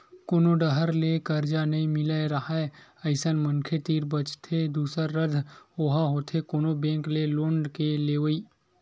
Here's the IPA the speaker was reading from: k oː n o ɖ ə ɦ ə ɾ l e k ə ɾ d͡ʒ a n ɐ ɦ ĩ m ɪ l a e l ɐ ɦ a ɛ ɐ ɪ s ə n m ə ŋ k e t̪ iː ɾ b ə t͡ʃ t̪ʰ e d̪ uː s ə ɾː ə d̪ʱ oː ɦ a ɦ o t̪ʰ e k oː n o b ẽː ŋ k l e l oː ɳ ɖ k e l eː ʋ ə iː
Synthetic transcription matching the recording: k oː n o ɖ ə ɦ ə ɾ l e k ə ɾ d͡ʒ a n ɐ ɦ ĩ m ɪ l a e ɾ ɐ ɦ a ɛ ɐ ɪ s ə n m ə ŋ kʰ e t̪ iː ɾ b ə t͡ʃ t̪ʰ e d̪ uː s ə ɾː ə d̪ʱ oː ɦ a ɦ o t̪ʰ e k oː n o b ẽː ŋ k l e l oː ɳ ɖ k e l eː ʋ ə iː